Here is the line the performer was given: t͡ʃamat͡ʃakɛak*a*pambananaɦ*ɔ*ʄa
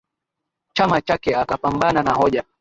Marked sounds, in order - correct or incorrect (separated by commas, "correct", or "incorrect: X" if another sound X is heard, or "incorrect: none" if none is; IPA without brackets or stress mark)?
correct, correct